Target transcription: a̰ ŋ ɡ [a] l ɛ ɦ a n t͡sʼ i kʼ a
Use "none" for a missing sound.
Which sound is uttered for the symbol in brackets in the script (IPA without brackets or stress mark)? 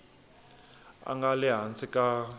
a